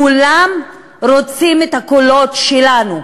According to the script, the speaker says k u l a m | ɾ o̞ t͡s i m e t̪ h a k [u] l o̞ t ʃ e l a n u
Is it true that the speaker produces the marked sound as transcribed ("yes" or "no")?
no